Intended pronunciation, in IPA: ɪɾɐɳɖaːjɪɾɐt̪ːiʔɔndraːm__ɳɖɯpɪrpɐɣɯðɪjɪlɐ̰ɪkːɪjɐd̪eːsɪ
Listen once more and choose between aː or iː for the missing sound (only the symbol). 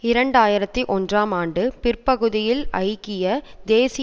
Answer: aː